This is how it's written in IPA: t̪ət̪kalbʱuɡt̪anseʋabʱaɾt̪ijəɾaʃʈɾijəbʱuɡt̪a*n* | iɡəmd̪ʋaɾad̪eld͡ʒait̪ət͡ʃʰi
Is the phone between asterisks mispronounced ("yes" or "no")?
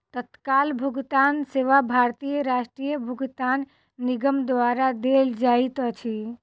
yes